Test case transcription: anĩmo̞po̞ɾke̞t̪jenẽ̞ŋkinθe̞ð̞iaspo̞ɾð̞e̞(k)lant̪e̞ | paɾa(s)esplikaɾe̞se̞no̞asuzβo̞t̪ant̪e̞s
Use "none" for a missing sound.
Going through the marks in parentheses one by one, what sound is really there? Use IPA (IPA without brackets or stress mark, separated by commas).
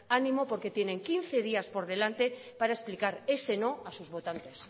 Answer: none, none